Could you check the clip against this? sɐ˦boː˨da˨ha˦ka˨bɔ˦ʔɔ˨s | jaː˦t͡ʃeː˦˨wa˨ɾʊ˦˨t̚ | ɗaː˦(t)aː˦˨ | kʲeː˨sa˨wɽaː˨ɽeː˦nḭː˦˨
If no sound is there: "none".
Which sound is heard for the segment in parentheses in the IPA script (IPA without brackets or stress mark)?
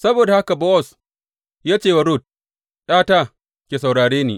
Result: t